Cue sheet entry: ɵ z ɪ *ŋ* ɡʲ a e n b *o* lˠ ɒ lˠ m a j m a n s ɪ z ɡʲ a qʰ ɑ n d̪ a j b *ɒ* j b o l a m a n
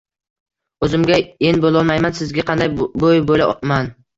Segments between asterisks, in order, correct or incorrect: incorrect: m, correct, incorrect: o

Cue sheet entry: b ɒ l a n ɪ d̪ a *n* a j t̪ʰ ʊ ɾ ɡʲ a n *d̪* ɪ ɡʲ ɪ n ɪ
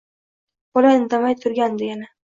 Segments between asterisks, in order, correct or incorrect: incorrect: m, correct

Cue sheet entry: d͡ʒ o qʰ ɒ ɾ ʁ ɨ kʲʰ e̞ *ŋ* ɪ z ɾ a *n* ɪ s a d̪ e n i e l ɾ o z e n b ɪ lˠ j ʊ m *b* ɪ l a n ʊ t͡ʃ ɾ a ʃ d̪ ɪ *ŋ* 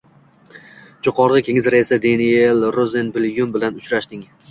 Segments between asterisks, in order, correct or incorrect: correct, incorrect: none, correct, correct

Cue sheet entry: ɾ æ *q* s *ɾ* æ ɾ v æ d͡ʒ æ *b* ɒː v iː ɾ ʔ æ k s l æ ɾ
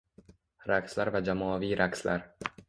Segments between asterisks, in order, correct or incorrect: incorrect: k, incorrect: l, incorrect: m

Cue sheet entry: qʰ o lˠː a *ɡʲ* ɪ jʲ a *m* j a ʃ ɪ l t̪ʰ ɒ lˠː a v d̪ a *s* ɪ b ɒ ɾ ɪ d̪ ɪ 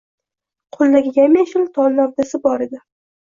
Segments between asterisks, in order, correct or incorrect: correct, correct, correct

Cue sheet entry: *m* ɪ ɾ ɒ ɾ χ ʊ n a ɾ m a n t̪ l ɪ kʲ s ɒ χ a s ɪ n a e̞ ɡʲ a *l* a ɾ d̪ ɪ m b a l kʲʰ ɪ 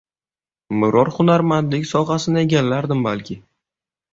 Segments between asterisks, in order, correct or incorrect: correct, incorrect: lː

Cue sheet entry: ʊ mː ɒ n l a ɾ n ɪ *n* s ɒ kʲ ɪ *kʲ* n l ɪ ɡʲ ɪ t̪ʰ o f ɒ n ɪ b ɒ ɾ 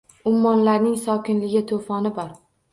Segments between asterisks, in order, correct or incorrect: incorrect: ŋ, incorrect: none

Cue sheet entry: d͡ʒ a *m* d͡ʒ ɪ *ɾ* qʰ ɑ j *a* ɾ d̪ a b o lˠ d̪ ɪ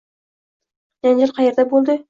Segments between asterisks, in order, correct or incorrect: incorrect: n, correct, incorrect: e

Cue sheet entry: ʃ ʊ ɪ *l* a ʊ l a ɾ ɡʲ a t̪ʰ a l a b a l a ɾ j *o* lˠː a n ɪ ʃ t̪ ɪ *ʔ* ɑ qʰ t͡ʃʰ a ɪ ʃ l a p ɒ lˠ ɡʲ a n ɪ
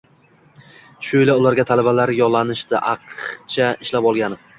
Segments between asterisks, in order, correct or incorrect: correct, incorrect: ɒ, correct

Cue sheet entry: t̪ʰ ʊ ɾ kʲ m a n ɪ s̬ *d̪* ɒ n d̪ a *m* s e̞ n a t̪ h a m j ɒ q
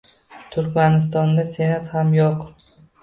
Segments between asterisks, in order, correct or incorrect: incorrect: t̪, incorrect: none

